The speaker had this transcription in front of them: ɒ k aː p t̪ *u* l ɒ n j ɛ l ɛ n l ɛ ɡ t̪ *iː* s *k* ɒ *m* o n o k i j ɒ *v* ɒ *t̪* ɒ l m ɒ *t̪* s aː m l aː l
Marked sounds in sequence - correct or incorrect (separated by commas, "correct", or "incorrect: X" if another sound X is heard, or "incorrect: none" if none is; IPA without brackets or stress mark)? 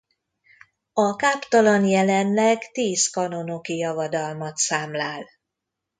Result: incorrect: ɒ, correct, correct, incorrect: n, correct, incorrect: d̪, correct